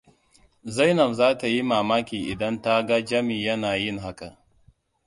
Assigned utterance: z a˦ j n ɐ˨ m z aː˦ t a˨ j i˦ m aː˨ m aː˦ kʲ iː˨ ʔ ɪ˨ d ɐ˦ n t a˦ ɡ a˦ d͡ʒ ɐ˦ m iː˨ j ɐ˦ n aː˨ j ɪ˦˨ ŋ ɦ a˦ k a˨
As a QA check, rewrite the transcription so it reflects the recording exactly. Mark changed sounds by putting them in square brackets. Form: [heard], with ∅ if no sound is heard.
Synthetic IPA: z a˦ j n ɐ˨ m z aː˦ t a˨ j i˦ m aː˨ m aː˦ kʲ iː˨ ʔ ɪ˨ d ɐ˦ n t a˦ ɡ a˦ d͡ʒ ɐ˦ m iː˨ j ɐ˦ n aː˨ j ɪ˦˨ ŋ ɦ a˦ k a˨